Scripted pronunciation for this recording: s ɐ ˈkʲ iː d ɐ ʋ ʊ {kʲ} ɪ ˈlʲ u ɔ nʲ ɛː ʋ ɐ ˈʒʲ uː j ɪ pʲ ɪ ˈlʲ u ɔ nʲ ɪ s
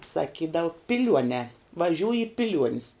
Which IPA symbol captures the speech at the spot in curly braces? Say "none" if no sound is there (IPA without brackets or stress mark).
pʲ